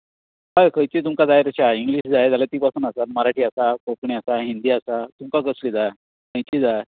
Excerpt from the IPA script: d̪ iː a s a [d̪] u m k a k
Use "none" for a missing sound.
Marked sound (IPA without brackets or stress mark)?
t̪